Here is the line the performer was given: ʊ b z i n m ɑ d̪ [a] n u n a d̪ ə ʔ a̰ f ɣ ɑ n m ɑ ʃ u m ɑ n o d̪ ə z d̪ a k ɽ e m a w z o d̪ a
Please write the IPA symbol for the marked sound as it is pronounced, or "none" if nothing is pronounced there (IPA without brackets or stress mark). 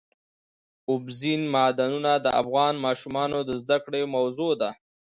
a